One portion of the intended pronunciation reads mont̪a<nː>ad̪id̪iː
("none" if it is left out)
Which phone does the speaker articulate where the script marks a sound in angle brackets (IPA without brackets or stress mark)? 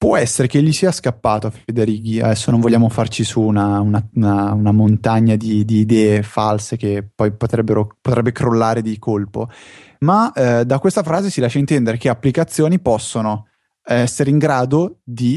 ɲː